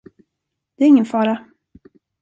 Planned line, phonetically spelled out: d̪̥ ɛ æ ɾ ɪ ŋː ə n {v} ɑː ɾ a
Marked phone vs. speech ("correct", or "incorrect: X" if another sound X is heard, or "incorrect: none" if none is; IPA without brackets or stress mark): incorrect: f